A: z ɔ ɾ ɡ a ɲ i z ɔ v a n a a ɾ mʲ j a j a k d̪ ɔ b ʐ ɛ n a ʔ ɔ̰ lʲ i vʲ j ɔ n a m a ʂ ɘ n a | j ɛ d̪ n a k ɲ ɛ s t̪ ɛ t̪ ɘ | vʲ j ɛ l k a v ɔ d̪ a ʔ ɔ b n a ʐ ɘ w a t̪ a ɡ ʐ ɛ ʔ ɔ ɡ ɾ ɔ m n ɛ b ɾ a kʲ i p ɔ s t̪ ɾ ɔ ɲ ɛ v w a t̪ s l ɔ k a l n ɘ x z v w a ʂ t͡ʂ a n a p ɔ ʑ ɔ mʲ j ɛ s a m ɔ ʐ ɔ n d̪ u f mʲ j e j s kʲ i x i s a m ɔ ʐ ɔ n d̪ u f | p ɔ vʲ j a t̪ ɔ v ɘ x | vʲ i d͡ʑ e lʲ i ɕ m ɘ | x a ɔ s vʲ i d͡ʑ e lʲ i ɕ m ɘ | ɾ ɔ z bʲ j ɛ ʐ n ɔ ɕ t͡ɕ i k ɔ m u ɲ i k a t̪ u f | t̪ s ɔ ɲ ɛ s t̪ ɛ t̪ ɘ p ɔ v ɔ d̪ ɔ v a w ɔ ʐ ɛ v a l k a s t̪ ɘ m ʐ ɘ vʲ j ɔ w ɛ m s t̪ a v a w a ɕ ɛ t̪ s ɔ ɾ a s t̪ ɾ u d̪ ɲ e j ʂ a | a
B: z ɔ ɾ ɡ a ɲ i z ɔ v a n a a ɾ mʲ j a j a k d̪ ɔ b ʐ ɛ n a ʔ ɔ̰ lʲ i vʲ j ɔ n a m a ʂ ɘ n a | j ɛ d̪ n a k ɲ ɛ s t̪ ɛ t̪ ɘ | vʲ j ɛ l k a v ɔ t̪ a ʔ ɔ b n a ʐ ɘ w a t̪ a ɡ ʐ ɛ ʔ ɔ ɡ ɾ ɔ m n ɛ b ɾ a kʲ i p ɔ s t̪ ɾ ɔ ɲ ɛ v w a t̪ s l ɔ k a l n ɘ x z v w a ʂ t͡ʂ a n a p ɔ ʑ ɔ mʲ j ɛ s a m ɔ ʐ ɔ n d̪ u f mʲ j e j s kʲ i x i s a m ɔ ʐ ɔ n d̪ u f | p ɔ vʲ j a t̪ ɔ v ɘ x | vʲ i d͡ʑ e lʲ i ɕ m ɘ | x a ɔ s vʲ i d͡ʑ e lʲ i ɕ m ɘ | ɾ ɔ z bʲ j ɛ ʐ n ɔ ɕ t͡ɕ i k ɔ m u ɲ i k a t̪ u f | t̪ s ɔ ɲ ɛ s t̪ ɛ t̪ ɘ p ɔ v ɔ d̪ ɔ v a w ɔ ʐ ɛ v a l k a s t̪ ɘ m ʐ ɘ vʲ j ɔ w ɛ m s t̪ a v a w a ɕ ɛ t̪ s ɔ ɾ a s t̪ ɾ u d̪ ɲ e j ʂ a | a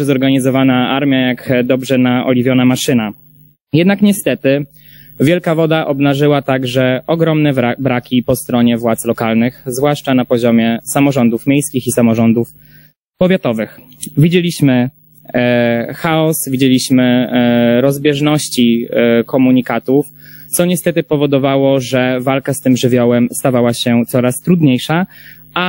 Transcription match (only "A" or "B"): A